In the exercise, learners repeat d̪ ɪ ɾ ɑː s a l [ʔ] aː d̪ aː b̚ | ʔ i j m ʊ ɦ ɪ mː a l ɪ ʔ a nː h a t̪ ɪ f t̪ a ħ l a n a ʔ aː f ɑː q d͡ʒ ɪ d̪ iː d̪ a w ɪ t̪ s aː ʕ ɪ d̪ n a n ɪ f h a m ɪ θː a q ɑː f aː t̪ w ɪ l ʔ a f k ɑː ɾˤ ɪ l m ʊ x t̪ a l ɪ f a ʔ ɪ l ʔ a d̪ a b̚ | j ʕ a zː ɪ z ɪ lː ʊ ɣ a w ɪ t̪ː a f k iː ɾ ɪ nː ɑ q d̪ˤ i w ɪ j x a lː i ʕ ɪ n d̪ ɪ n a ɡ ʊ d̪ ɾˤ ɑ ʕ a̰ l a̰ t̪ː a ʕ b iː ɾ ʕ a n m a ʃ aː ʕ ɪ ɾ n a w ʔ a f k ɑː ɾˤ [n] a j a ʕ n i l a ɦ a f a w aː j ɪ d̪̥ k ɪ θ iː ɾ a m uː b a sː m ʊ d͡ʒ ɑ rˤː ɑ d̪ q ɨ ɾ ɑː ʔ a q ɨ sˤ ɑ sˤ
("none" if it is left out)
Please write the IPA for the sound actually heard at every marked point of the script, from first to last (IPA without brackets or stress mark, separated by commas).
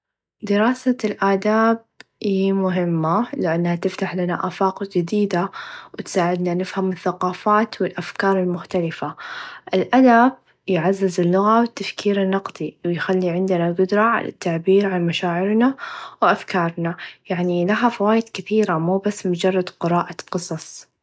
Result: ʔ, n